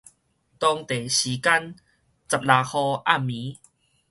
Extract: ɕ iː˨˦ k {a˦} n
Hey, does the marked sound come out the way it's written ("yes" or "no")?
yes